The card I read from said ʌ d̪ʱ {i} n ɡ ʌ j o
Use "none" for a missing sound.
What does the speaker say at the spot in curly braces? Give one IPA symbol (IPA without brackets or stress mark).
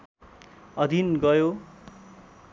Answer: i